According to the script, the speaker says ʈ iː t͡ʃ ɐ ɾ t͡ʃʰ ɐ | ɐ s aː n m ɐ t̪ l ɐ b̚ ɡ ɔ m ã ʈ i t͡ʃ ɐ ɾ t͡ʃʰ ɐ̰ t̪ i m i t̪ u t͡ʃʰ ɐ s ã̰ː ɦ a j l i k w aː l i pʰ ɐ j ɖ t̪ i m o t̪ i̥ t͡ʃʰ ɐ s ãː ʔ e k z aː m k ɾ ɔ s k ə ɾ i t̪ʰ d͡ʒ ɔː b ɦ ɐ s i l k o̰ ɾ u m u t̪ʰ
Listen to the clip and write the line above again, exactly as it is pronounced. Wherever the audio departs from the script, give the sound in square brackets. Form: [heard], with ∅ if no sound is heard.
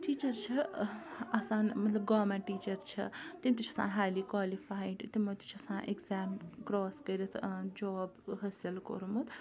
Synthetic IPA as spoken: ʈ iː t͡ʃ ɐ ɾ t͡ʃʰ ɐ | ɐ s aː n m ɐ t̪ l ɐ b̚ ɡ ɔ m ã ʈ i t͡ʃ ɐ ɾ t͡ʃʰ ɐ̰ t̪ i m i t̪ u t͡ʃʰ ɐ s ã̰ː ɦ a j l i k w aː l i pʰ [a] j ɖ t̪ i m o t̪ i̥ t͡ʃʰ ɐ s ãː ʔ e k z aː m k ɾ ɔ s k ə ɾ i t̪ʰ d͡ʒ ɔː b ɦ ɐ s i l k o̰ ɾ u m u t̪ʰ